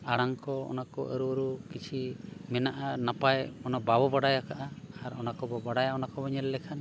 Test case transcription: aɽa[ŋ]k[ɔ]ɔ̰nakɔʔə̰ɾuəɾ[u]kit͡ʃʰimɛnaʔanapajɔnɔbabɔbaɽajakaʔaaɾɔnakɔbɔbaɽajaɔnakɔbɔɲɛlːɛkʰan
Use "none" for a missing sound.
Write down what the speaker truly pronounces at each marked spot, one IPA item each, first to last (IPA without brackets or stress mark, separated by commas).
ŋ, ɔ, u